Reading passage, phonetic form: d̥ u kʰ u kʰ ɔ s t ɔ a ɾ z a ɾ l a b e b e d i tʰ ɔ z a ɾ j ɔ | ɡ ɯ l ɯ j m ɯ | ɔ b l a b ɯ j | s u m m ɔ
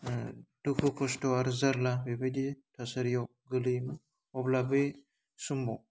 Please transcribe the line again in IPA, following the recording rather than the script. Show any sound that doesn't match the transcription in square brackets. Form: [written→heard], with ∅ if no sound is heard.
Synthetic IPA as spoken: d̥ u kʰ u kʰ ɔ s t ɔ a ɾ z a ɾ l a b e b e d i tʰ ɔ [z→s] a ɾ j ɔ | ɡ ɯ l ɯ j m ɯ | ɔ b l a b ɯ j | s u m [m→b] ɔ

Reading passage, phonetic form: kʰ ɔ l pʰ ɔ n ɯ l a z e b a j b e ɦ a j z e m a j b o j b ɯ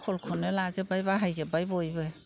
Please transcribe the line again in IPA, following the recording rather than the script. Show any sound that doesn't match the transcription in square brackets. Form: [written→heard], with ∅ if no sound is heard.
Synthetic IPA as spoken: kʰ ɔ l [pʰ→kʰ] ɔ n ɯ l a z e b a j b [e→a] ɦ a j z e [m→b] a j b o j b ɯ

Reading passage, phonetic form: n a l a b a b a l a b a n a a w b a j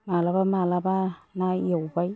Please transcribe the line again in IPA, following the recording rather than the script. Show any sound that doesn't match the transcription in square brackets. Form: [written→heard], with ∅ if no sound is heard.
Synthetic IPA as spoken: [n→m] a l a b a [b→m] a l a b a n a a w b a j

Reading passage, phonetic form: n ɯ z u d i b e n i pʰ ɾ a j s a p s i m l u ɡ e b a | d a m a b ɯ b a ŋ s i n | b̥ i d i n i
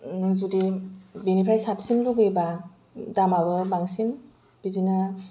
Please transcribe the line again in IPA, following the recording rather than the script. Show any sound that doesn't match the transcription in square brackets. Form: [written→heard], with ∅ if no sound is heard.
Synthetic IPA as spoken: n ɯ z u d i b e n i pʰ ɾ a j s a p s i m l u ɡ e b a | d a m a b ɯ b a ŋ s i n | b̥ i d i n [i→a]

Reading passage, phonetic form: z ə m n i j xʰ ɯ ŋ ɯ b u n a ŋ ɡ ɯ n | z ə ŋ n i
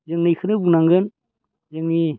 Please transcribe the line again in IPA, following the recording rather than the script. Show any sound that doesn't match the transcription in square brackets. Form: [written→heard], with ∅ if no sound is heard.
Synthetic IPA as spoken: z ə [m→ŋ] n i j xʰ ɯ [ŋ→n] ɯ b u n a ŋ ɡ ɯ n | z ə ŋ n i

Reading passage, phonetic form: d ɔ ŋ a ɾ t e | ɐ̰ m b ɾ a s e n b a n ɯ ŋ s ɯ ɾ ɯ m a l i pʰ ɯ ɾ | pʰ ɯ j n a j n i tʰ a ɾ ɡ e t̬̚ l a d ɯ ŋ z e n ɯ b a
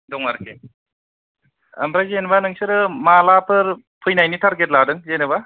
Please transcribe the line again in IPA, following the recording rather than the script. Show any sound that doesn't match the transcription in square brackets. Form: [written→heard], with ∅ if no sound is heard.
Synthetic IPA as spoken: d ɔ ŋ a ɾ [t→k] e | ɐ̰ m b ɾ a [s→z] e n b a n ɯ ŋ s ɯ ɾ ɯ m a l [i→a] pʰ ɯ ɾ | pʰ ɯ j n a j n i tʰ a ɾ ɡ e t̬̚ l a d ɯ ŋ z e n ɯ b a

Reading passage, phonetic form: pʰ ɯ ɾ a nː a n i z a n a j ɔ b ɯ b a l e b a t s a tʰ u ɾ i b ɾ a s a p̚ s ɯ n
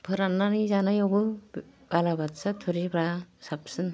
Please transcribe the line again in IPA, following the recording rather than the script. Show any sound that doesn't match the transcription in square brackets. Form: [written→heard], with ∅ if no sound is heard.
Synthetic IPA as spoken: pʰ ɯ ɾ a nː a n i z a n a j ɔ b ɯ b a l [e→a] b a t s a tʰ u ɾ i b ɾ a s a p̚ s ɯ n

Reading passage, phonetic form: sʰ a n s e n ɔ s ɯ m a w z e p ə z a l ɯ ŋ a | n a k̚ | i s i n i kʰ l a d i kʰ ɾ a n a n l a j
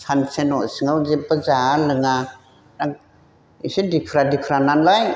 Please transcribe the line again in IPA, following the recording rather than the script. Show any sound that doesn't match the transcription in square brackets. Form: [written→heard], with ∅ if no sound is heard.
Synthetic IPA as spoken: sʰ a n s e n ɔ s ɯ [m→ŋ] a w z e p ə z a l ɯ ŋ a | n a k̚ | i s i [n→d] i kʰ [l→ɾ] a d i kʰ ɾ a n a n l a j

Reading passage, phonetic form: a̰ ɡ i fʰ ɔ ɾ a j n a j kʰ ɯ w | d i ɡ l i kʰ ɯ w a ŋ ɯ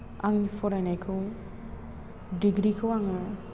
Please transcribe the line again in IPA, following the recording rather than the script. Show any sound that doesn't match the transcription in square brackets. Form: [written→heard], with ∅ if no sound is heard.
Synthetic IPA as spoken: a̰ [ɡ→ŋ] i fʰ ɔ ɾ a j n a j kʰ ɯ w | d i ɡ [l→ɾ] i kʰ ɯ w a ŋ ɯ

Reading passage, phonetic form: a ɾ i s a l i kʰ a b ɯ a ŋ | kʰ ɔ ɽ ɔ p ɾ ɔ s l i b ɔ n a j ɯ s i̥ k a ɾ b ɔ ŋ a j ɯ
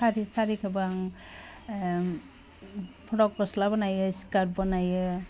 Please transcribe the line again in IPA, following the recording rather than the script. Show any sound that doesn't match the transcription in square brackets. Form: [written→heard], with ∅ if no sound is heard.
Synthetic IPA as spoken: a ɾ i s a [l→ɾ] i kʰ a b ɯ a ŋ | [kʰ→pʰ] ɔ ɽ ɔ [p→k] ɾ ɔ s l [i→a] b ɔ n a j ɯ s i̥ k a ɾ b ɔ [ŋ→n] a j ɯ

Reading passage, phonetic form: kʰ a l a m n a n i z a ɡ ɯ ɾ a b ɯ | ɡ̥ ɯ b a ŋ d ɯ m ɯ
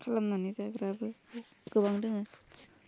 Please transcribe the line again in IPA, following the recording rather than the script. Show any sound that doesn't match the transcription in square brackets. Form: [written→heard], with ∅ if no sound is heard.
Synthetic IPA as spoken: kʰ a l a m n a n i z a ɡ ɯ ɾ a b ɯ | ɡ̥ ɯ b a ŋ d ɯ [m→ŋ] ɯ

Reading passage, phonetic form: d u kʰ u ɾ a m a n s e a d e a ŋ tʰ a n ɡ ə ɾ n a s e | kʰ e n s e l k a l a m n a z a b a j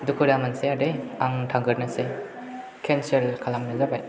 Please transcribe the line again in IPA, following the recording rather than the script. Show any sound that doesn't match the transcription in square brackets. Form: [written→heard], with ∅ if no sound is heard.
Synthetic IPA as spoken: d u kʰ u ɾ a m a n s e a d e a ŋ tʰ a [n→ŋ] ɡ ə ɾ n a s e | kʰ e n s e l [k→kʰ] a l a m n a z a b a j

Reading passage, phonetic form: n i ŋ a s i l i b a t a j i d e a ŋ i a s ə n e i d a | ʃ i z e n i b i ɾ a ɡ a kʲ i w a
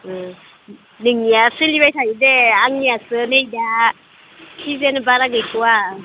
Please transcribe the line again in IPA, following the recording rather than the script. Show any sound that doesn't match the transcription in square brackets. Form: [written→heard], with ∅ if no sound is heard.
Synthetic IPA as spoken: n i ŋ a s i l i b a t a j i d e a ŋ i a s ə n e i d a | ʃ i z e n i b [i→a] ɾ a ɡ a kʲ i w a

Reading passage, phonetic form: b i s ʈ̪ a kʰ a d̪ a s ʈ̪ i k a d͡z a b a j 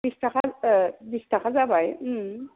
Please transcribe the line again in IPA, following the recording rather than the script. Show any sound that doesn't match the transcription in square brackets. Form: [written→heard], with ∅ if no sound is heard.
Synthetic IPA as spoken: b i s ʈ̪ a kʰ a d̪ [a→i] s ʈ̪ [i→a] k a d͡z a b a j

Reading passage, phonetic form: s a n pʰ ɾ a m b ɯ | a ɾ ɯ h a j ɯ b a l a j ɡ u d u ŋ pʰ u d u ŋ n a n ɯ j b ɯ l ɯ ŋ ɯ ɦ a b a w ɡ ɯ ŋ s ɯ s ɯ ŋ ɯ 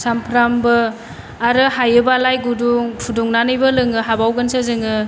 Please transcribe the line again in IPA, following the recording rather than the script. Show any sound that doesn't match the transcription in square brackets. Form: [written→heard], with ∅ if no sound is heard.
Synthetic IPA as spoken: s a [n→m] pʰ ɾ a m b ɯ | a ɾ ɯ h a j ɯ b a l a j ɡ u d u ŋ pʰ u d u ŋ n a n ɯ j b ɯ l ɯ ŋ ɯ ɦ a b a w ɡ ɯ [ŋ→n] s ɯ [s→z] ɯ ŋ ɯ

